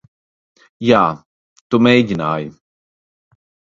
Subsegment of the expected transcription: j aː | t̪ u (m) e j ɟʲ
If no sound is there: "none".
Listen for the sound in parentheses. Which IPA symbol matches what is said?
m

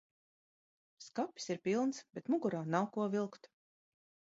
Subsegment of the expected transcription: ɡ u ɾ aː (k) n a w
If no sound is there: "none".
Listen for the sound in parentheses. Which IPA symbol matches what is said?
none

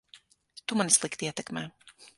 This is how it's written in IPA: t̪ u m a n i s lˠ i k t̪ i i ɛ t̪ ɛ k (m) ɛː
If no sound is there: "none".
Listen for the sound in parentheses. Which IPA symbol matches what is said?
m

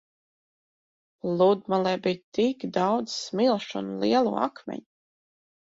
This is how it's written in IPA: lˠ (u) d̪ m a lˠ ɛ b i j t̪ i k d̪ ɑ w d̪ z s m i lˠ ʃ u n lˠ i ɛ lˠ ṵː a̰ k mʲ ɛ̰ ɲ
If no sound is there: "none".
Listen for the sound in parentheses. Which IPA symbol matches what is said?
u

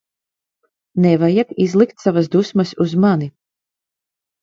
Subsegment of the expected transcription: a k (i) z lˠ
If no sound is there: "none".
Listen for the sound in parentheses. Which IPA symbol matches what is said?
i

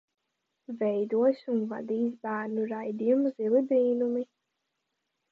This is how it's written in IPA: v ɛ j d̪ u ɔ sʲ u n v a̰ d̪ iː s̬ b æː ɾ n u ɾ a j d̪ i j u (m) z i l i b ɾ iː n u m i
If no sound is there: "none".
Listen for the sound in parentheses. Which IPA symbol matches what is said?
m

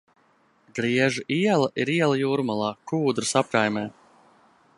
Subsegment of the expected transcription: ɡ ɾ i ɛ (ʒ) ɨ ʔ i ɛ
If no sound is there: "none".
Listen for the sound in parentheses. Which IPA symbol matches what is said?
ʒ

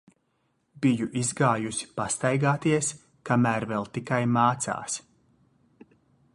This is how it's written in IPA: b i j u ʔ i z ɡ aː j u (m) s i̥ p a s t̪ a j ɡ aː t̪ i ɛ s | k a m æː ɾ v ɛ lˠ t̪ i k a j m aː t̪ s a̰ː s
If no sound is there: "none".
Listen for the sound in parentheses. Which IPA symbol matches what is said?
none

